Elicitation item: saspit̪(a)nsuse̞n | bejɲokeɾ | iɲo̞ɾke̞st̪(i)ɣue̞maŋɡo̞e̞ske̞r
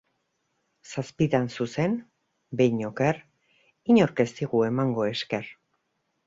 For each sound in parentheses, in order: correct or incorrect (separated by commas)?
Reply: correct, correct